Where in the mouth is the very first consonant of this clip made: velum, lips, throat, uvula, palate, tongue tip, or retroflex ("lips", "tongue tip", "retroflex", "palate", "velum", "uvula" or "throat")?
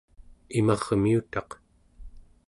lips